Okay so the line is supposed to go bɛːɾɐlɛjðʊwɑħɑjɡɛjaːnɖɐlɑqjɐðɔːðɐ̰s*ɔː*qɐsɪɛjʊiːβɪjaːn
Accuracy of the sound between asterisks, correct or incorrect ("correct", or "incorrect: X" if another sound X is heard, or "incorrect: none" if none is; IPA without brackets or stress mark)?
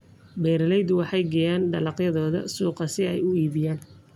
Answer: incorrect: uː